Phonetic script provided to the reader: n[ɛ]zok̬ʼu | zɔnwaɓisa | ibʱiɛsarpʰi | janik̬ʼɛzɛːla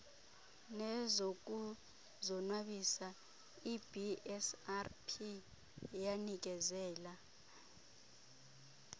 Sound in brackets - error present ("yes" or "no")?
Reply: no